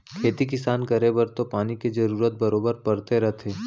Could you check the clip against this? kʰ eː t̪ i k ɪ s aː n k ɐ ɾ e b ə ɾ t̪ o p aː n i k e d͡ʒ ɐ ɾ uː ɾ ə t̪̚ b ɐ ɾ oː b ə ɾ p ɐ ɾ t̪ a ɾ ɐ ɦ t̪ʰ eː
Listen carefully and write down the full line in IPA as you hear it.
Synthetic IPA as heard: kʰ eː t̪ i k ɪ s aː n k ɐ ɾ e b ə ɾ t̪ o p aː n i k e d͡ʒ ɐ ɾ uː ɾ ə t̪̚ b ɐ ɾ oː b ə ɾ p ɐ ɾ t̪ e ɾ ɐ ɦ t̪ʰ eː